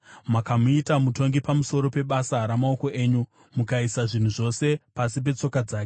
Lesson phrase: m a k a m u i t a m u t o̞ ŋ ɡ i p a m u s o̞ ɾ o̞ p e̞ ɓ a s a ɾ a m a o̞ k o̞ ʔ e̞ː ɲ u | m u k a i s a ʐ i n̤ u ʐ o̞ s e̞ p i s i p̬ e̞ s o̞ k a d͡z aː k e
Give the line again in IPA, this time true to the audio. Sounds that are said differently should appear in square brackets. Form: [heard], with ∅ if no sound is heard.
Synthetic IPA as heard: m a k a m u i t a m u t o̞ ŋ ɡ i p a m u s o̞ ɾ o̞ p e̞ ɓ a s a ɾ a m a o̞ k o̞ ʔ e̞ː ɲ u | m u k a i s a ʐ i n̤ u ʐ o̞ s e̞ p [a] s i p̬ e̞ [t͡s] o̞ k a d͡z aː k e